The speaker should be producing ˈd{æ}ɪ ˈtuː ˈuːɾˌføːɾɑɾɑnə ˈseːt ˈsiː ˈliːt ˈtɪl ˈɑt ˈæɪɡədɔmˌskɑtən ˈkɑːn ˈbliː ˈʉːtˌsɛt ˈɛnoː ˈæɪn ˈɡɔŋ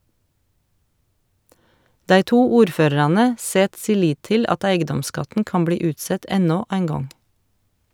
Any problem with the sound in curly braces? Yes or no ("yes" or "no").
no